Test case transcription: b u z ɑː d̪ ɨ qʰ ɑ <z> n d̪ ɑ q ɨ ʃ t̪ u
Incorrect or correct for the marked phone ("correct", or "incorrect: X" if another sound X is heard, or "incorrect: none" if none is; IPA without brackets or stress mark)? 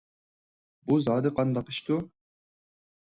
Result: incorrect: none